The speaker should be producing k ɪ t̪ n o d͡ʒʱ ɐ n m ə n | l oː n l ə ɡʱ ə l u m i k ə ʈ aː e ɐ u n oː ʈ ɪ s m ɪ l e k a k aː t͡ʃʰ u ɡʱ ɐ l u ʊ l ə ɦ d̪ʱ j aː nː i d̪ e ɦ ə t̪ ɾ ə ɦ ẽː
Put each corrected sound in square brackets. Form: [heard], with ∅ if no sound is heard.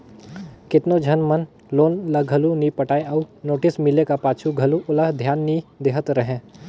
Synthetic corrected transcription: k ɪ t̪ n o d͡ʒʱ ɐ n m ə n | l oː n l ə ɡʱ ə l u [n] i [p] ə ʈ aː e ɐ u n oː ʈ ɪ s m ɪ l e k a [p] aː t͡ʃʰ u ɡʱ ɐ l u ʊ l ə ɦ d̪ʱ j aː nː i d̪ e ɦ ə t̪ ɾ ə ɦ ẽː